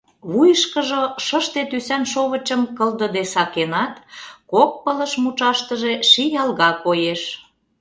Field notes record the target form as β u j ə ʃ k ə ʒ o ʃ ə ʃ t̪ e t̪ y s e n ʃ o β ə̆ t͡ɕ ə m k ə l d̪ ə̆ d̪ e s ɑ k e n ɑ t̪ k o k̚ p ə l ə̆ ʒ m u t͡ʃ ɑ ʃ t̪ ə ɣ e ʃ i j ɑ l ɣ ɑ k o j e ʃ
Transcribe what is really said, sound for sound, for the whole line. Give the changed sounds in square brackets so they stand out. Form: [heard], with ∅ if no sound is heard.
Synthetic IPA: β u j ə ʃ k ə ʒ o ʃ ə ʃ t̪ e t̪ y s [æ] n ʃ o β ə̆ t͡ɕ ə m k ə l d̪ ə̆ d̪ e s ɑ k e n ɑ t̪ k o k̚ p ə l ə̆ [ʃ] m u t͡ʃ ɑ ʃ t̪ ə [ʒ] e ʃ i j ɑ l ɣ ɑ k o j e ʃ